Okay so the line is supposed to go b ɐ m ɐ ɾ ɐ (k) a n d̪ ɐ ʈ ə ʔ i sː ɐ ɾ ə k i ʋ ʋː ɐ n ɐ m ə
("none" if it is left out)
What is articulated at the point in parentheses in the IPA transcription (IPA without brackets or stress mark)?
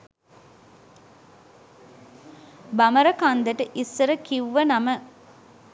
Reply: k